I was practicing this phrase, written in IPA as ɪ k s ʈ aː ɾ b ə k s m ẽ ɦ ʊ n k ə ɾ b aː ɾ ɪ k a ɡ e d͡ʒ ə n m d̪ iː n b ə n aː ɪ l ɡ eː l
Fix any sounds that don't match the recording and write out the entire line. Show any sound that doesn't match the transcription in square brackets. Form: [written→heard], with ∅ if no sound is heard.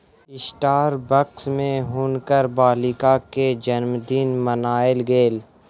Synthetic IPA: ɪ [k→∅] s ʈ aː ɾ b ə k s m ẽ ɦ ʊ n k ə ɾ b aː [ɾ→l] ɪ k a [ɡ→k] e d͡ʒ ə n m d̪ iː n [b→m] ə n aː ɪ l ɡ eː l

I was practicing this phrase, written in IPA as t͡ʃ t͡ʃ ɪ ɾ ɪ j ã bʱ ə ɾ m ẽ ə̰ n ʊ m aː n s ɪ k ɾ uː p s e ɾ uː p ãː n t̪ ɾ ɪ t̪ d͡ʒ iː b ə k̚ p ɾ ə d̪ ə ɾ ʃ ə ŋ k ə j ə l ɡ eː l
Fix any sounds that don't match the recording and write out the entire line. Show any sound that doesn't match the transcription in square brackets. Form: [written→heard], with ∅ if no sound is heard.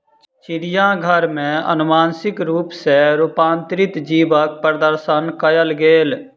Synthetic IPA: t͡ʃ t͡ʃ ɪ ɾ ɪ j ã [bʱ→ɡʱ] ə ɾ m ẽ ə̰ n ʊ m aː n s ɪ k ɾ uː p s e ɾ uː p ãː n t̪ ɾ ɪ t̪ d͡ʒ iː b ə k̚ p ɾ ə d̪ ə ɾ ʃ ə [ŋ→n] k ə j ə l ɡ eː l

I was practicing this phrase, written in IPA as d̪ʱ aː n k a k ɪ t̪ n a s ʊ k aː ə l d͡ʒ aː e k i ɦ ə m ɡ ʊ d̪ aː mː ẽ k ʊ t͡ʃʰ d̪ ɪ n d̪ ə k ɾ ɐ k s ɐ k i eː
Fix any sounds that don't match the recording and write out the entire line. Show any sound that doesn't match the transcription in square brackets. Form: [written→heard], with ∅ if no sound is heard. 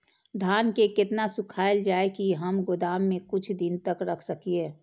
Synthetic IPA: d̪ʱ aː n k [a→e] k ɪ t̪ n a s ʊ [k→kʰ] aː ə l d͡ʒ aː e k i ɦ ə m ɡ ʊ d̪ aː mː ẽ k ʊ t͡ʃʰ d̪ ɪ n [d̪→t̪] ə k ɾ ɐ [k→kʰ] s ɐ k i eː

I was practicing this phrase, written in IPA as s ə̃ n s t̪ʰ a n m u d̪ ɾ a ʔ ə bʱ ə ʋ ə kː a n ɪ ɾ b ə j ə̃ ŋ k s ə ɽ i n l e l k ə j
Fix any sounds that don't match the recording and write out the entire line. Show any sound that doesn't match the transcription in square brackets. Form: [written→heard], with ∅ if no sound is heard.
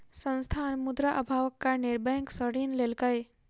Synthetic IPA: s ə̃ n s t̪ʰ a n m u d̪ ɾ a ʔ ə bʱ [ə→a] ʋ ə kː a n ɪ ɾ b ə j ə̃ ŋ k s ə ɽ i n l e l k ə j

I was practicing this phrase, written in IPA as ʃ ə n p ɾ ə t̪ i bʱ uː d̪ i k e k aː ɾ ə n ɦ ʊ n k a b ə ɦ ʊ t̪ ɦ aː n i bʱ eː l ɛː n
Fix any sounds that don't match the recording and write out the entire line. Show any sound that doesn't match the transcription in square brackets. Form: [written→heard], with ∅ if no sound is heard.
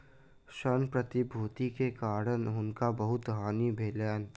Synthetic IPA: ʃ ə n p ɾ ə t̪ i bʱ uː [d̪→t̪] i k e k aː ɾ ə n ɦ ʊ n k a b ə ɦ ʊ t̪ ɦ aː n i bʱ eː l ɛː n

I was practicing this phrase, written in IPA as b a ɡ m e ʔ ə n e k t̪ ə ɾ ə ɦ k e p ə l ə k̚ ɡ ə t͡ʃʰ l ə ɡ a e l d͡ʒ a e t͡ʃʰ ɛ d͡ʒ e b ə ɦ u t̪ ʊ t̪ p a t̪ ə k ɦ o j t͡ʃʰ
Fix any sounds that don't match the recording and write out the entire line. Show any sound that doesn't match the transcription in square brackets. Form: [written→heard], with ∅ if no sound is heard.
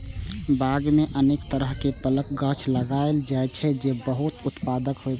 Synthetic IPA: b a ɡ m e ʔ ə n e k t̪ ə ɾ ə ɦ k e p ə l ə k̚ ɡ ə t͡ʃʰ l ə ɡ a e l d͡ʒ a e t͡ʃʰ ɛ d͡ʒ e b ə ɦ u t̪ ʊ t̪ p a [t̪→d̪] ə k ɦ o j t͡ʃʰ

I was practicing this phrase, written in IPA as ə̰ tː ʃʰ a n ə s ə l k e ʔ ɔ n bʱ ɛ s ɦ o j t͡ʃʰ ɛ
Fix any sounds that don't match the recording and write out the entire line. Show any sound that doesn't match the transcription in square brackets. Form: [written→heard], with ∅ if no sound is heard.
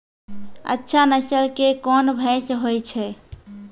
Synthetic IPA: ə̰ tː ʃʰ a n ə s ə l k e [ʔ→k] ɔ n bʱ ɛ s ɦ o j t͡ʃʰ ɛ

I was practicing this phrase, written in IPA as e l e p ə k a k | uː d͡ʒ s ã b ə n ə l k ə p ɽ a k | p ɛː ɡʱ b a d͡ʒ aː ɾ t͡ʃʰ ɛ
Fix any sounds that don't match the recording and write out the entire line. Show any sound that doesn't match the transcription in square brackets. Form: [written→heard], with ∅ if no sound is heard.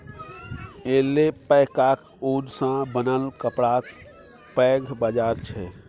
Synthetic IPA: e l e p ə k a k | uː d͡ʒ s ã b ə n ə l k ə p ɽ a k | p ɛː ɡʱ b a d͡ʒ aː ɾ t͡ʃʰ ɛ

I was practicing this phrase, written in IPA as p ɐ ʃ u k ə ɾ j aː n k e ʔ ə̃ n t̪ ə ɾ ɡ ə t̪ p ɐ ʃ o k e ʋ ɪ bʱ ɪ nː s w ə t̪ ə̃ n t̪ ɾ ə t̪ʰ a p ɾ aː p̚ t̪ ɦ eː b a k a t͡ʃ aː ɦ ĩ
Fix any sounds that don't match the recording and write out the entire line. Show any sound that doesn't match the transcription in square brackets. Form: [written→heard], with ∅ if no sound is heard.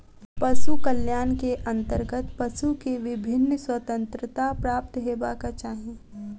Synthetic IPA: p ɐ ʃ u k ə [ɾ→l] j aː n k e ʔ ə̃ n t̪ ə ɾ ɡ ə t̪ p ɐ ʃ [o→u] k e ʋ ɪ bʱ ɪ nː s w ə t̪ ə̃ n t̪ ɾ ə [t̪ʰ→t̪] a p ɾ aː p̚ t̪ ɦ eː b a k a t͡ʃ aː ɦ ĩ

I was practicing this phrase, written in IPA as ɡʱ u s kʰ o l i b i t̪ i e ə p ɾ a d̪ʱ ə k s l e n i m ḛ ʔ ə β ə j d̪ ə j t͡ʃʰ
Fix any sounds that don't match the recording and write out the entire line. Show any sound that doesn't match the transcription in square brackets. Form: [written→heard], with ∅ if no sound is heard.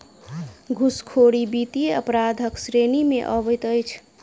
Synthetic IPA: ɡʱ u s kʰ o [l→ɽ] i b i t̪ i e ə p ɾ a d̪ʱ ə k s [l→ɾ] e n i m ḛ ʔ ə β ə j [d̪→t̪] ə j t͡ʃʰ

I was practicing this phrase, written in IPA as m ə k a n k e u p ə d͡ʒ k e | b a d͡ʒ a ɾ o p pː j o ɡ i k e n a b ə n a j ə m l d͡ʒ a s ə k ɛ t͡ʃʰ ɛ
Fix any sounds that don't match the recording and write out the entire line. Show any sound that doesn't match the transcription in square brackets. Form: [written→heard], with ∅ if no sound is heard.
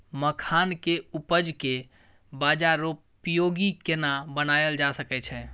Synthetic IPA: m ə [k→kʰ] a n k e u p ə d͡ʒ k e | b a d͡ʒ a ɾ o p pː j o ɡ i k e n a b ə n a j ə [m→∅] l d͡ʒ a s ə k ɛ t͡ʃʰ ɛ

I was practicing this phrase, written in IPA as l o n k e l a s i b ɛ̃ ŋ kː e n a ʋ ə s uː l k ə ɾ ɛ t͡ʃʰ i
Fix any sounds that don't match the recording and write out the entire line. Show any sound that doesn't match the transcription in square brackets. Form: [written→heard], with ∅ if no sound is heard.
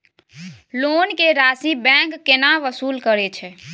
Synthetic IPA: l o n k e [l→ɾ] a s i b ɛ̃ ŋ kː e n a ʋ ə s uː l k ə ɾ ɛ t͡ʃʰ [i→ɛ]

